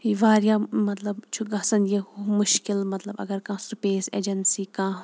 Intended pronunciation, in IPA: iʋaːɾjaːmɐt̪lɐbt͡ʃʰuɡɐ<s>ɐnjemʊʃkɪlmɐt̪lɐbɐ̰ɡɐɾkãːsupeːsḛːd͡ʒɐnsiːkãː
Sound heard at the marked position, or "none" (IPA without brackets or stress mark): s